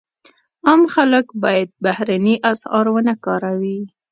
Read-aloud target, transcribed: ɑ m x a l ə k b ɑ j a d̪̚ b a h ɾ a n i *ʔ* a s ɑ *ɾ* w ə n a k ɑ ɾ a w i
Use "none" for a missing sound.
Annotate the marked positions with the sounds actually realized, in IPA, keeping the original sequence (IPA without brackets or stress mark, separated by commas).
ʔ, ɾ